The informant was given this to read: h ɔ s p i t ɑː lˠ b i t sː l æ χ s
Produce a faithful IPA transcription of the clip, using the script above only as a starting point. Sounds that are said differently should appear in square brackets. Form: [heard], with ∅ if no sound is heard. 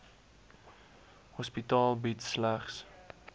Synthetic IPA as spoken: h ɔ s p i t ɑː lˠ b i t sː l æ χ s